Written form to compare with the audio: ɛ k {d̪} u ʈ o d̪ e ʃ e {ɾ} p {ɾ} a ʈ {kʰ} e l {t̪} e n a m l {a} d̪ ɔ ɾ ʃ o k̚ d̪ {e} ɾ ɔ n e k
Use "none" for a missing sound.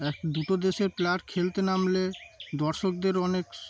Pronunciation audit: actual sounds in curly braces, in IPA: d̪, ɾ, l, kʰ, t̪, e, e

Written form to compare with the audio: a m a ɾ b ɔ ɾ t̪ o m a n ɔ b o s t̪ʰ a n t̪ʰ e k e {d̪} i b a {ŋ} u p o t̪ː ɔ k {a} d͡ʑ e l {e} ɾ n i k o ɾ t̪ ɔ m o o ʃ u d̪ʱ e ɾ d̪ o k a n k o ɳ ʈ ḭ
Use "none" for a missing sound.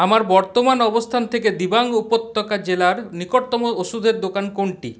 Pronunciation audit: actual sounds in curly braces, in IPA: d̪, ŋ, a, a

